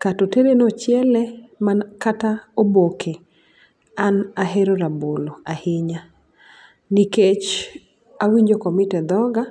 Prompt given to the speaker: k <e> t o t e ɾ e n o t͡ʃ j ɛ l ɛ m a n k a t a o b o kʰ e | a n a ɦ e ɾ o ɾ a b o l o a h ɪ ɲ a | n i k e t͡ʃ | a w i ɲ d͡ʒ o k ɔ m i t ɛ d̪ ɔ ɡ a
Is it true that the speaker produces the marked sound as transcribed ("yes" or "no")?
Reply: no